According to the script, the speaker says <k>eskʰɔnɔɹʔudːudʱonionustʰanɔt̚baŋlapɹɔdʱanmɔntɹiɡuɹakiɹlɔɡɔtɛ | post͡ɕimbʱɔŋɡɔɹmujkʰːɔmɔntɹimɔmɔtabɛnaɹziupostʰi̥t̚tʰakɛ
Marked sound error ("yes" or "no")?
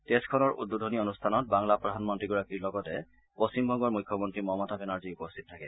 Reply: yes